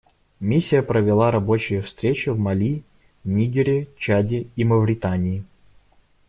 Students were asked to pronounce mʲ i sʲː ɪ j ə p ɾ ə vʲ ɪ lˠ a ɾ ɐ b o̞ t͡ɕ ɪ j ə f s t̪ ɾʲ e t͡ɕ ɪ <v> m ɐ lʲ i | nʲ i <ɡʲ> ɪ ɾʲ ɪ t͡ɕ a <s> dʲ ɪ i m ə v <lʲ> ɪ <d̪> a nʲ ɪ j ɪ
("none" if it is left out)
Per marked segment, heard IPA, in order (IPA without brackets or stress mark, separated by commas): v, ɡʲ, none, ɾʲ, t̪